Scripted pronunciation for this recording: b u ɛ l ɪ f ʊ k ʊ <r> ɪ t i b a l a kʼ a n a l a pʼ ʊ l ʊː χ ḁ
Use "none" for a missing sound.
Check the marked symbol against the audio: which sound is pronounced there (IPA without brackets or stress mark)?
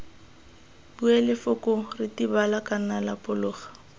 r